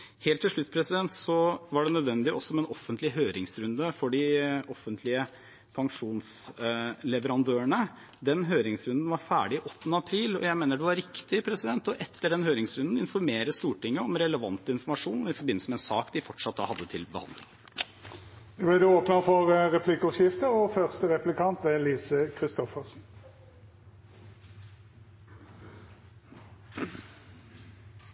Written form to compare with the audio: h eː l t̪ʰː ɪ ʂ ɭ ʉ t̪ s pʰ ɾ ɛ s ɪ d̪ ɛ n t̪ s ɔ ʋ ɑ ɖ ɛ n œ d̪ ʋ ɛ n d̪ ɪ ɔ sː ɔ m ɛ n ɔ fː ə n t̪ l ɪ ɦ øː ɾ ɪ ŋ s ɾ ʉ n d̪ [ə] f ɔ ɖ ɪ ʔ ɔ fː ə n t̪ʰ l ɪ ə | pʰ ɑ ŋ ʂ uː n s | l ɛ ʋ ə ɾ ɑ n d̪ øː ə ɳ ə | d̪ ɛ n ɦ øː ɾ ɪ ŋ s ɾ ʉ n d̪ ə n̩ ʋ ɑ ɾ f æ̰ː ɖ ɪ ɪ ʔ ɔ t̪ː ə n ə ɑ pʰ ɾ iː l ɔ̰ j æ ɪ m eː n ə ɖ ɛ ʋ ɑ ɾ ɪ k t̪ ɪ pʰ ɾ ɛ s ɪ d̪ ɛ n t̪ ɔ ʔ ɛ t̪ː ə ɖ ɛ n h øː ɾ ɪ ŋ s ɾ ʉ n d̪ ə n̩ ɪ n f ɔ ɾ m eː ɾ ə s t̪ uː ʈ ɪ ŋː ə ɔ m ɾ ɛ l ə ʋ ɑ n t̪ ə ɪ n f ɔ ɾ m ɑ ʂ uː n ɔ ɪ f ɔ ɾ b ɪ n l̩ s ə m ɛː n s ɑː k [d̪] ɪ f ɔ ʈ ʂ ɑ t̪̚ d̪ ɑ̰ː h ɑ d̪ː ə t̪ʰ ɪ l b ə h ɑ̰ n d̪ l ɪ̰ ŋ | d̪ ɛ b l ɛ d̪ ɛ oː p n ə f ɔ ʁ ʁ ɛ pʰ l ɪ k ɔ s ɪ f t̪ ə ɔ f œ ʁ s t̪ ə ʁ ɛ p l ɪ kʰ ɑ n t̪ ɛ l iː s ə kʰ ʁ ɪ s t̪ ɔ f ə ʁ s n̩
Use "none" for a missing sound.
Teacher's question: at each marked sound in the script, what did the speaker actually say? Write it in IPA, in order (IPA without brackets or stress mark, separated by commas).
ə, d̪